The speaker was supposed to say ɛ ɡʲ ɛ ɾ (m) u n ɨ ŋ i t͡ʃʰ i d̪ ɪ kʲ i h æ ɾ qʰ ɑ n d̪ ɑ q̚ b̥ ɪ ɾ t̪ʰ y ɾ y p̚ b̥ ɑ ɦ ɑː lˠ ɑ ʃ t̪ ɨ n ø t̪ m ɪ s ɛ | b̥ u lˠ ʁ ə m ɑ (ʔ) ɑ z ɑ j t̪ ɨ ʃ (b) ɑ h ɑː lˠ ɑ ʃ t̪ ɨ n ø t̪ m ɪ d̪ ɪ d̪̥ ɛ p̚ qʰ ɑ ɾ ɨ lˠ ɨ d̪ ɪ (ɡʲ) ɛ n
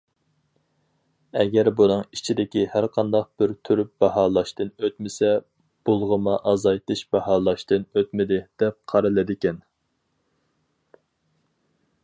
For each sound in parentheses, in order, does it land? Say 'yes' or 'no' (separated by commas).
no, yes, yes, no